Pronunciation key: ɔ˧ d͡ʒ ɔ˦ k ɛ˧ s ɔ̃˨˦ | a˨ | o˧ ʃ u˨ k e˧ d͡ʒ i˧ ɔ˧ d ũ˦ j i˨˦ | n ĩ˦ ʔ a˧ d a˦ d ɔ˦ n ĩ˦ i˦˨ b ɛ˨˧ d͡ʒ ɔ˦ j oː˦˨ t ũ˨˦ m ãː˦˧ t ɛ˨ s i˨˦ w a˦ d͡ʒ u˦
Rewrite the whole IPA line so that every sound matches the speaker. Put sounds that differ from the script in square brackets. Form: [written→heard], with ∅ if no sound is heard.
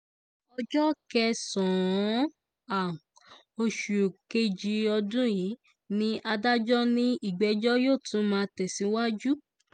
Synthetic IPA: ɔ˧ d͡ʒ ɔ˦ k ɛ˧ s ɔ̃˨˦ | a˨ | o˧ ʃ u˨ k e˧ d͡ʒ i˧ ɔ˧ d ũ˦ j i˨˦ | n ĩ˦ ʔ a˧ d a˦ [d→d͡ʒ] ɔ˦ n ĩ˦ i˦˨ [b→ɡ͡b] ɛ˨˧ d͡ʒ ɔ˦ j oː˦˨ t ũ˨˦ m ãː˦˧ t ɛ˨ s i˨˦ w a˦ d͡ʒ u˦